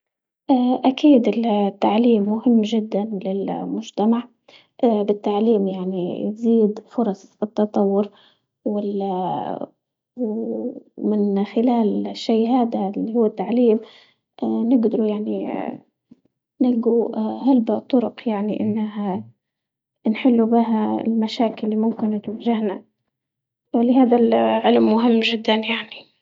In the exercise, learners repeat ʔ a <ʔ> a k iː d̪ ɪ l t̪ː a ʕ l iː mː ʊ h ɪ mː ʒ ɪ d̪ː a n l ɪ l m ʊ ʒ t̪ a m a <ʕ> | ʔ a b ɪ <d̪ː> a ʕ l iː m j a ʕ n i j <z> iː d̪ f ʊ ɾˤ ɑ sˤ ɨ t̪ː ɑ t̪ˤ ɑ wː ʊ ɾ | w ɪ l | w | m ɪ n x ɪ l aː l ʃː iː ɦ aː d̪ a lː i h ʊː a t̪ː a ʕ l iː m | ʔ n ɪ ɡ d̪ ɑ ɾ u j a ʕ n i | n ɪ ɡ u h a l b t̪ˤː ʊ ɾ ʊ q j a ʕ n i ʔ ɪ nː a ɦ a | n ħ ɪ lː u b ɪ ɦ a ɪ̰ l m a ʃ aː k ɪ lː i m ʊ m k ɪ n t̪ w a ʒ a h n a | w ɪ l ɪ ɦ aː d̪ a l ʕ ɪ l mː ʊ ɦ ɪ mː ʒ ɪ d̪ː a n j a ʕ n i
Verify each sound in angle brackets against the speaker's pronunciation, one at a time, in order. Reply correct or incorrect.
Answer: correct, correct, incorrect: t̪ː, correct

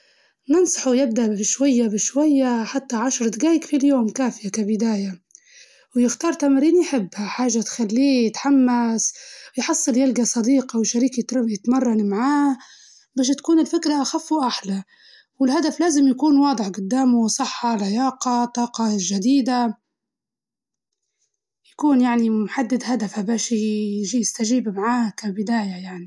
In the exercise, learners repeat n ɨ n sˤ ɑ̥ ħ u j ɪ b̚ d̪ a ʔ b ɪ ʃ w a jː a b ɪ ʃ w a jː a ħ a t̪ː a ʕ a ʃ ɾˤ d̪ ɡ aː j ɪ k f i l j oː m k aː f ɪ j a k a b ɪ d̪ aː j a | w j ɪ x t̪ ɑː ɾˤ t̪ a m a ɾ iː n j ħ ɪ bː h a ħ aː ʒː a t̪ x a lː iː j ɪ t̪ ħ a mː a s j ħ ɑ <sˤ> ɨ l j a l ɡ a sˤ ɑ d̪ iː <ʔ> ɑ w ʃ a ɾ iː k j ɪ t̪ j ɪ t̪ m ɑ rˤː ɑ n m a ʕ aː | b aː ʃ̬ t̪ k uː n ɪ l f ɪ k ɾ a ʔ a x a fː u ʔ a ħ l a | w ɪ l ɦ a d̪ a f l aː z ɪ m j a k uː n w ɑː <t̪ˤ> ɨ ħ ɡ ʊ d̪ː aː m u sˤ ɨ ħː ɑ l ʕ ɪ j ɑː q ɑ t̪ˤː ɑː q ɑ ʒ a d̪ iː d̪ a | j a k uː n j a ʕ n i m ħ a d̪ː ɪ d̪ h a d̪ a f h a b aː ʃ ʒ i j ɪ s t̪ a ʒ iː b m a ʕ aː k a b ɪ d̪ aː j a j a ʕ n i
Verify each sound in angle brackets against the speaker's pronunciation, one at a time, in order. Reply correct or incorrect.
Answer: incorrect: sˤː, incorrect: q, incorrect: d̪ˤ

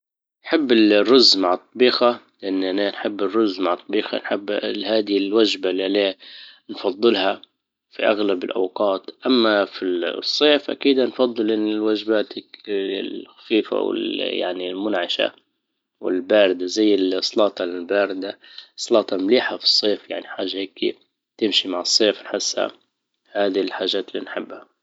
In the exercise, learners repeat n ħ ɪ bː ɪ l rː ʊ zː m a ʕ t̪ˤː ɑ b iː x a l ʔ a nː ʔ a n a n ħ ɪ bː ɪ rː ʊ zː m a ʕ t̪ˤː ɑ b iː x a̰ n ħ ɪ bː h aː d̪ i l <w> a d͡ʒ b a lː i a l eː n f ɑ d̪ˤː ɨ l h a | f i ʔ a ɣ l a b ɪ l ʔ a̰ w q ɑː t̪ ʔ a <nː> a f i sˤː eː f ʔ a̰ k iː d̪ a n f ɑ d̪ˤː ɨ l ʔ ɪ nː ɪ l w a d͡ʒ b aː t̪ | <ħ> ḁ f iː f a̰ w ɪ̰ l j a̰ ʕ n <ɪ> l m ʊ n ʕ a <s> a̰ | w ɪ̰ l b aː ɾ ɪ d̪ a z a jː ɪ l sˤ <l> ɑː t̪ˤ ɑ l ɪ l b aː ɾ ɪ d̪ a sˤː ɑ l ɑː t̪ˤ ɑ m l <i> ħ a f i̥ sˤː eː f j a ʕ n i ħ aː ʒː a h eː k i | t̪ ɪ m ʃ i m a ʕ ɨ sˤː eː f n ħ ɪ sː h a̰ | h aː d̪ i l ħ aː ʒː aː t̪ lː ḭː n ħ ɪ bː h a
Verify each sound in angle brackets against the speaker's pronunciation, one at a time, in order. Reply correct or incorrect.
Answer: correct, incorrect: mː, incorrect: x, incorrect: i, incorrect: ʃ, correct, incorrect: iː

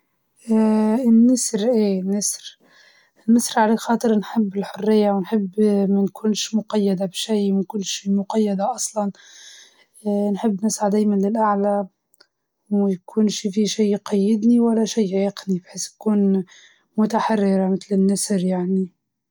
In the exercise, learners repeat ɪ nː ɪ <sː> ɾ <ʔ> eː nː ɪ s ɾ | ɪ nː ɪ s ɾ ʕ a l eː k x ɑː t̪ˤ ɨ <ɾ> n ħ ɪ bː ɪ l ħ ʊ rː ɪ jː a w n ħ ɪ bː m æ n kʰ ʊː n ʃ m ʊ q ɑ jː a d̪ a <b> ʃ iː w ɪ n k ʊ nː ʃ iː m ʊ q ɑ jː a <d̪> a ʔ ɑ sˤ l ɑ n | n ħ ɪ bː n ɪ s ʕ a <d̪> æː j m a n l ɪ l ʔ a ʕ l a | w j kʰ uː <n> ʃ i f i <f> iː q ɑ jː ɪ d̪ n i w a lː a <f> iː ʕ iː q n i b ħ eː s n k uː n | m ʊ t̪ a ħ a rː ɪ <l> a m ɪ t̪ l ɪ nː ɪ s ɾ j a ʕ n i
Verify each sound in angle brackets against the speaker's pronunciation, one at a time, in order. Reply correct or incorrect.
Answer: incorrect: s, correct, correct, correct, correct, correct, correct, incorrect: ʃ, incorrect: ʃ, incorrect: ɾ

